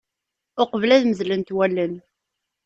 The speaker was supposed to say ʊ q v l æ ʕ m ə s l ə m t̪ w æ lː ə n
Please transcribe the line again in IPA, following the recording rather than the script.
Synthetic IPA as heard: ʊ q v l æ ð m ə z l ə n t̪ w æ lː ə n